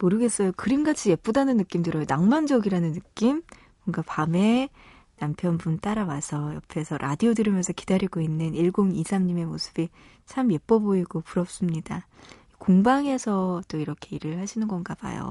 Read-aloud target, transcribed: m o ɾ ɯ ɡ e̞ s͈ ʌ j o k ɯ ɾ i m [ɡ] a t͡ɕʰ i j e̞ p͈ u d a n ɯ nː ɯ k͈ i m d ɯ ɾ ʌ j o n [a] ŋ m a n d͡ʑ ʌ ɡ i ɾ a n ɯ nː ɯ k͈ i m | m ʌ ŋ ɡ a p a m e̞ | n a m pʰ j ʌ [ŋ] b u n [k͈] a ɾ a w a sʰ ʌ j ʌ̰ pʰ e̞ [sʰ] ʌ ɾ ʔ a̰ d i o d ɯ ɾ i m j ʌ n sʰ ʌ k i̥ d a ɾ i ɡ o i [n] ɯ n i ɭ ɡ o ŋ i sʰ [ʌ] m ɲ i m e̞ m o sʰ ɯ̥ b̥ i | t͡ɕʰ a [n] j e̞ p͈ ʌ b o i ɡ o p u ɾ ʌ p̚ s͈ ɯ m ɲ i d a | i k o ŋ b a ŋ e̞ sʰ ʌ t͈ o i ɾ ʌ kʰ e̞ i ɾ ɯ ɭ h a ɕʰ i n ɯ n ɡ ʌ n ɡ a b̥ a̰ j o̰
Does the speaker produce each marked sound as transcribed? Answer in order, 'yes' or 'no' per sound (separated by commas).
yes, yes, no, no, yes, no, no, no